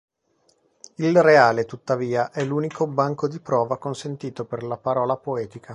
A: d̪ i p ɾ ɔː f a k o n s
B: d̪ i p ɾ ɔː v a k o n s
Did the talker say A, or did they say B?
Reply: B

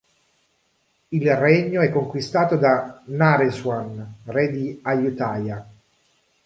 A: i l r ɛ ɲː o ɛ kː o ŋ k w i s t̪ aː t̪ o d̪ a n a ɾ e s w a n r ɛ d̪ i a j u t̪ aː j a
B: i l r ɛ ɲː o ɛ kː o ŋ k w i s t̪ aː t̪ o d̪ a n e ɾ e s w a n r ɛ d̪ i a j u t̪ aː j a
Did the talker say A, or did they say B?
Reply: A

